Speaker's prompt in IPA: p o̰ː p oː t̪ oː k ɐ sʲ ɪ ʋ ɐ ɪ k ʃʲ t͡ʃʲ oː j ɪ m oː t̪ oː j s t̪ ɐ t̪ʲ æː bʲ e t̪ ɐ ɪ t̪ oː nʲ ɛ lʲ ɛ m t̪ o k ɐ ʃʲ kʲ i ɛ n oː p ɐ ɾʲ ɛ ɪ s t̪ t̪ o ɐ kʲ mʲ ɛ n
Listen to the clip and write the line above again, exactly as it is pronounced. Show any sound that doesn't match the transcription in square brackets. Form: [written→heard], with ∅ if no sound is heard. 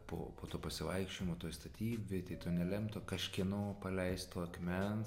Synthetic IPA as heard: p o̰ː p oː t̪ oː [k→p] ɐ sʲ ɪ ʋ ɐ ɪ k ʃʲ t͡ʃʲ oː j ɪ m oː t̪ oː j s t̪ ɐ t̪ʲ [æː→iː] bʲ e t̪ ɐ ɪ t̪ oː nʲ ɛ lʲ ɛ m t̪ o k ɐ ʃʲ kʲ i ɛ n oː p ɐ [ɾʲ→lʲ] ɛ ɪ s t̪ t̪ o ɐ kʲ mʲ ɛ n